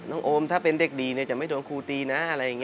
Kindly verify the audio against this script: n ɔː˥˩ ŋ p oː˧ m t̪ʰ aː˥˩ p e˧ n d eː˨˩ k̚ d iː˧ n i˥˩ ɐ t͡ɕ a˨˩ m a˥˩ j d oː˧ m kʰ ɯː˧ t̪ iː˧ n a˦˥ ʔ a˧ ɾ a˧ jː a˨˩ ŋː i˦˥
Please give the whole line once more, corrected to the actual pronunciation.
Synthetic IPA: n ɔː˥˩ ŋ ʔ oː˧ m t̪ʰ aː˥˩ p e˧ n d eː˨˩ k̚ d iː˧ n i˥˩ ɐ t͡ɕ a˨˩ m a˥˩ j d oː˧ n kʰ uː˧ t̪ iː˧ n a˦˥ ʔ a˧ ɾ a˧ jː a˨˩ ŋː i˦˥